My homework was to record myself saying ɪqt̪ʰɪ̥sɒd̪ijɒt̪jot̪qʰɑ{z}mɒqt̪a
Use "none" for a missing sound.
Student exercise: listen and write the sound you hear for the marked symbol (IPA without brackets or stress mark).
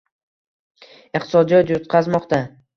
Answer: z